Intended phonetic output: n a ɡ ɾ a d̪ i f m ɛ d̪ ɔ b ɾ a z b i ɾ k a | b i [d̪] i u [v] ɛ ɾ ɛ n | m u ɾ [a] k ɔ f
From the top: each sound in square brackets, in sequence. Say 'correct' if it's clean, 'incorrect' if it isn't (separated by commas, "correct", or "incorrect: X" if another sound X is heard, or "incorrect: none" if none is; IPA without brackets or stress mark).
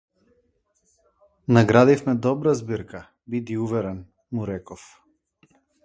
correct, correct, incorrect: ɛ